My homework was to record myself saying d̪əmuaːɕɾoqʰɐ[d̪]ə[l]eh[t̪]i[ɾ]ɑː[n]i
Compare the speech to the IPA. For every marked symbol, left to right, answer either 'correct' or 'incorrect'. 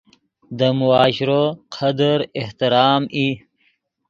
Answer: correct, incorrect, correct, correct, incorrect

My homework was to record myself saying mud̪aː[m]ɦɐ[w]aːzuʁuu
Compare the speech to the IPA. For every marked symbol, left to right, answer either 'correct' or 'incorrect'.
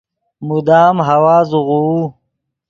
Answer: correct, correct

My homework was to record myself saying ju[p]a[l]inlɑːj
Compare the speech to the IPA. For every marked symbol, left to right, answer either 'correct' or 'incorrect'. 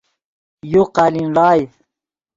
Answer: incorrect, correct

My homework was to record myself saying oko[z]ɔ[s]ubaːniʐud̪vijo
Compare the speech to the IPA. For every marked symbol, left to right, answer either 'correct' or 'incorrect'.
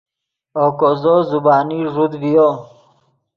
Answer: correct, incorrect

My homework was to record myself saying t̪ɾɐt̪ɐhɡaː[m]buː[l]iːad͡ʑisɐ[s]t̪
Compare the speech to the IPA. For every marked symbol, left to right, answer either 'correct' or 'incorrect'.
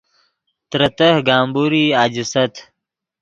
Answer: correct, incorrect, incorrect

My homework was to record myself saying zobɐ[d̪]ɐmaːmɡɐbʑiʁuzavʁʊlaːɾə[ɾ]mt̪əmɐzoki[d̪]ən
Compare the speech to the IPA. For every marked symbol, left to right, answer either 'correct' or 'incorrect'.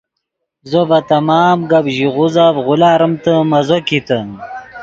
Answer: incorrect, incorrect, incorrect

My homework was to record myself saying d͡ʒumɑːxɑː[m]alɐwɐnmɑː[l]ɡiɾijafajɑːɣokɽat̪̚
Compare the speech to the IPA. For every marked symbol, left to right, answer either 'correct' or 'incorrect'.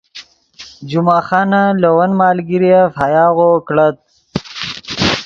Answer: incorrect, correct

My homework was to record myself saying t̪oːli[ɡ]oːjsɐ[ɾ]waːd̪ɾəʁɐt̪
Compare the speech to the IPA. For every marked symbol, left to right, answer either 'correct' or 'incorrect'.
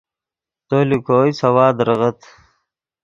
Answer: incorrect, incorrect

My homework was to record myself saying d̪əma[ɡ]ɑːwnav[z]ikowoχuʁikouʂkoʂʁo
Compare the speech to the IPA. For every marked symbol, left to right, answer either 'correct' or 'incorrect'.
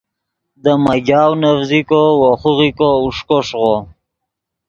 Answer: correct, correct

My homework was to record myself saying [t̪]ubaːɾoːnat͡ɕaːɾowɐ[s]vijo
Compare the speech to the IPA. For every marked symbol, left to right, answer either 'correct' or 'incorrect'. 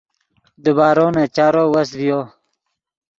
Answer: incorrect, correct

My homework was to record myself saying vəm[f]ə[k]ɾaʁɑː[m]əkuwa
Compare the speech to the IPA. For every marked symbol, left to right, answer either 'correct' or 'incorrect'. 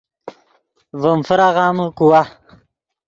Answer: correct, incorrect, correct

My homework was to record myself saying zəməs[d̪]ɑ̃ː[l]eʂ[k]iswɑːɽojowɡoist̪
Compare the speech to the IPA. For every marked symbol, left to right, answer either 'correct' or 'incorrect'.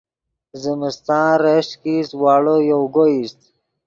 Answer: incorrect, incorrect, correct

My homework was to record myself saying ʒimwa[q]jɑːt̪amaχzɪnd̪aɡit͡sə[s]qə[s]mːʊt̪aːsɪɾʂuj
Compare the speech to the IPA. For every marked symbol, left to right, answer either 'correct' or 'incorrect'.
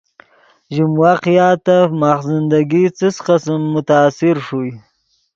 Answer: correct, correct, correct

